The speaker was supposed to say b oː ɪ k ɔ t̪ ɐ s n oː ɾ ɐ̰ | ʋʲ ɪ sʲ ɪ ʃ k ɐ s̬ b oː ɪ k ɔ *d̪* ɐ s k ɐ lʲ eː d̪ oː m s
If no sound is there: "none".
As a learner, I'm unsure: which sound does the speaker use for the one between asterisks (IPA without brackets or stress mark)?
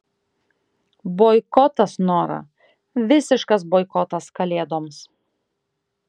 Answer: t̪